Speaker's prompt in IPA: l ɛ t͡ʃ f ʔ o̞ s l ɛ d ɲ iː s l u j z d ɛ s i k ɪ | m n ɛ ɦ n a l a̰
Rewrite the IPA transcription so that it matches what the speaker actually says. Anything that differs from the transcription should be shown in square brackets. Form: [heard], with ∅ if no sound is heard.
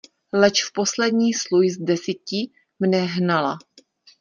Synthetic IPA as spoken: l ɛ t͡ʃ f [p] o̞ s l ɛ d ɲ iː s l u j z d ɛ s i [c] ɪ | m n ɛ ɦ n a l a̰